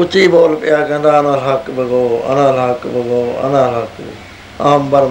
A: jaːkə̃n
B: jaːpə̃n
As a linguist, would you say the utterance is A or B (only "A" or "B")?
A